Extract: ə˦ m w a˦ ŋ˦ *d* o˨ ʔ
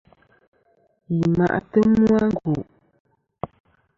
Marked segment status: incorrect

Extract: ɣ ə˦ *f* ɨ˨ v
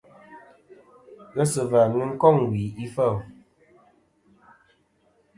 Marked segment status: incorrect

